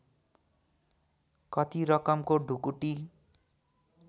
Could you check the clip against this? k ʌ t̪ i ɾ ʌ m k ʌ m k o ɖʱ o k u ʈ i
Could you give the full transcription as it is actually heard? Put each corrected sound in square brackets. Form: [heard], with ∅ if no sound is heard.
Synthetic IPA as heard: k ʌ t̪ i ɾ ʌ [∅] k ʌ m k o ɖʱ [u] k u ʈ i

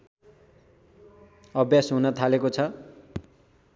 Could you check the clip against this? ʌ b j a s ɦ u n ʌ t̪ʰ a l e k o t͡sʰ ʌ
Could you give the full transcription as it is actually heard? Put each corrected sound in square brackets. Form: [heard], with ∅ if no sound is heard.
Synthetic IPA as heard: ʌ b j a s ɦ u n ʌ t̪ʰ a l e k o t͡sʰ ʌ

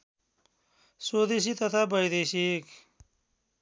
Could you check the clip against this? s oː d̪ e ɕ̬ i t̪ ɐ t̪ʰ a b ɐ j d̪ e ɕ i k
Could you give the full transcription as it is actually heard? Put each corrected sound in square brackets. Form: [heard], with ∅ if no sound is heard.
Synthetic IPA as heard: s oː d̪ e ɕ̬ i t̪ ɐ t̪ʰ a b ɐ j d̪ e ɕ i k

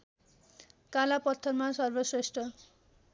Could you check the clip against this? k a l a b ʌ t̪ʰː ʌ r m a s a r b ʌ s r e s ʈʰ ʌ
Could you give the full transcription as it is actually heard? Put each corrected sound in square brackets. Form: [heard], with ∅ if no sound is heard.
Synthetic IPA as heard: k a l a [p] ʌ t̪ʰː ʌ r m a s [ʌ] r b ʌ s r e s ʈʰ ʌ

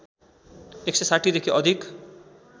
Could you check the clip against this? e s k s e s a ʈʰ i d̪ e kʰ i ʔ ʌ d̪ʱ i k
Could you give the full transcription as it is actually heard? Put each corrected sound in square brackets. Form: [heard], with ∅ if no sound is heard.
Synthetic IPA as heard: e [∅] k s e s a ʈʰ i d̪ e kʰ i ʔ ʌ d̪ʱ i k

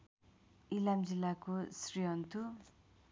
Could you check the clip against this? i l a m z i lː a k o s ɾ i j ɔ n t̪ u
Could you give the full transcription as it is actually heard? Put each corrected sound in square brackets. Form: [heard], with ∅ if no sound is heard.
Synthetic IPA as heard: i l a m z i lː a k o s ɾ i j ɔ n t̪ u

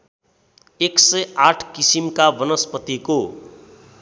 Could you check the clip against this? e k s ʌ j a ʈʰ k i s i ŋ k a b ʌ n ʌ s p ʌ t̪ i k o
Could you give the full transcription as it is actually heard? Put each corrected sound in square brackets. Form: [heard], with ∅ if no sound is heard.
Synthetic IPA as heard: e k s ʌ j a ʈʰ k i s i [m] k a b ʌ n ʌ s p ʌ t̪ i k o

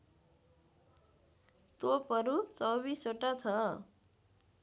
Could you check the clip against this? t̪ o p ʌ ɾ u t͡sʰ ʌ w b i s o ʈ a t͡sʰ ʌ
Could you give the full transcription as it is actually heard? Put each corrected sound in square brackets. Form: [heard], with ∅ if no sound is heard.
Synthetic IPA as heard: t̪ o p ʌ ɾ u [t͡s] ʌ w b i s o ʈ a t͡sʰ ʌ

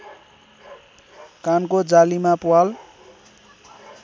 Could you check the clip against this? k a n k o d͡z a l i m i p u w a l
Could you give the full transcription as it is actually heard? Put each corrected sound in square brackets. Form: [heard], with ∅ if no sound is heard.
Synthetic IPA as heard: k a n k o d͡z a l i m [a] p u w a l

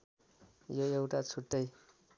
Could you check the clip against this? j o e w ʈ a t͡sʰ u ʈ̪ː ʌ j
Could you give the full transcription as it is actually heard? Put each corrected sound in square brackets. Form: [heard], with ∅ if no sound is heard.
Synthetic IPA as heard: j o e w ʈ a t͡sʰ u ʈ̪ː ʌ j

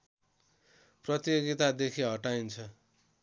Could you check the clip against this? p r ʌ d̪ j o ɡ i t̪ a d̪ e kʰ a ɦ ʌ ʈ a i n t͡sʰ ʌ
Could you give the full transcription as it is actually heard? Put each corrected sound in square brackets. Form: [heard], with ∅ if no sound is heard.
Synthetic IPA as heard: p r ʌ [t̪] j o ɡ i t̪ a d̪ e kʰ [i] ɦ ʌ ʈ a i n t͡sʰ ʌ

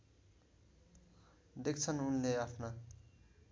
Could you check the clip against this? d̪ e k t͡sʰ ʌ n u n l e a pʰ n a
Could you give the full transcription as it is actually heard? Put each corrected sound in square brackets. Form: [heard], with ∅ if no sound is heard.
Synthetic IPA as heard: d̪ e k t͡sʰ ʌ n u n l e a pʰ n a

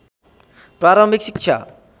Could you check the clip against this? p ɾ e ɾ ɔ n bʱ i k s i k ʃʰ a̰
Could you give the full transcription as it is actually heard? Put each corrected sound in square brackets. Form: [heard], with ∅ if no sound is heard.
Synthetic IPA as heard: p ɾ [a] ɾ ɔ [m] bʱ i k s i k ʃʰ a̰

